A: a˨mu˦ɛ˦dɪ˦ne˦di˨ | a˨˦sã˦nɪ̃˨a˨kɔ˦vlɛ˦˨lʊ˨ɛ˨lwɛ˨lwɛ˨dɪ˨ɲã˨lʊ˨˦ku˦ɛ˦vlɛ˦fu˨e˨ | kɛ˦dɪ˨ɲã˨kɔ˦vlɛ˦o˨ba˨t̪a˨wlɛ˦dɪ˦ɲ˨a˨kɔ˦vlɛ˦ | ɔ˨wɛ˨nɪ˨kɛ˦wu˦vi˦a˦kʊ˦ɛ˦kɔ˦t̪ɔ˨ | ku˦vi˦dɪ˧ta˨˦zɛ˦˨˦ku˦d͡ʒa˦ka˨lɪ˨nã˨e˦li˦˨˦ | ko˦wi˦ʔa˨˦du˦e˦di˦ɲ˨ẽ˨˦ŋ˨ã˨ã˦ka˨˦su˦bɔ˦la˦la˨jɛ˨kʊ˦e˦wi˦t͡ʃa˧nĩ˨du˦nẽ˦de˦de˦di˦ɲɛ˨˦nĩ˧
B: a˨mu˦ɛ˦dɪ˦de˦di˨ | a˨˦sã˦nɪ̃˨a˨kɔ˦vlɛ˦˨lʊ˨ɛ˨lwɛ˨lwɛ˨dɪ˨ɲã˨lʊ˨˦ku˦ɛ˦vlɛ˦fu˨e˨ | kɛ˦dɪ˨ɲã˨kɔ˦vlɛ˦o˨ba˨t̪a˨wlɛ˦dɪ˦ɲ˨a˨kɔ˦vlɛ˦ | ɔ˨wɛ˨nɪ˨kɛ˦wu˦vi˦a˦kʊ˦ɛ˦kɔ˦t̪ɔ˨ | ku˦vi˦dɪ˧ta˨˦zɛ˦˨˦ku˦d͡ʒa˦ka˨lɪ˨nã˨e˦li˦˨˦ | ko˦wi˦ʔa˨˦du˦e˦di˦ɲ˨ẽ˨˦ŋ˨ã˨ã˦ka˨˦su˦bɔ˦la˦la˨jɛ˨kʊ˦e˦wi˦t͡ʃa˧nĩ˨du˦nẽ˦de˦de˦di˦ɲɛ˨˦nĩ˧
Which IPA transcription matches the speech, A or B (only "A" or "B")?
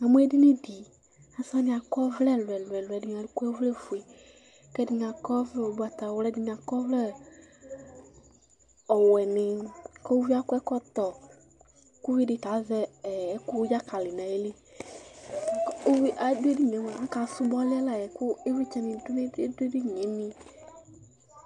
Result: A